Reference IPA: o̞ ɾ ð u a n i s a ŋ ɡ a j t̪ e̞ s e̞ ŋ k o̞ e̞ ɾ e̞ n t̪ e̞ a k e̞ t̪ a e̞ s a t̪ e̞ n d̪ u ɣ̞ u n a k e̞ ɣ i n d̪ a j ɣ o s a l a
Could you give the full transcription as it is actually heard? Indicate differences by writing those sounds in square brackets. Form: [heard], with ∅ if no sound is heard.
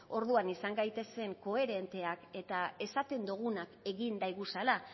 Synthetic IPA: o̞ ɾ ð u a n i s a ŋ ɡ a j t̪ e̞ s e̞ ŋ k o̞ e̞ ɾ e̞ n t̪ e̞ a k e̞ t̪ a e̞ s a t̪ e̞ n d̪ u ɣ̞ u n a k e̞ ɣ i n d̪ a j ɣ [u] s a l a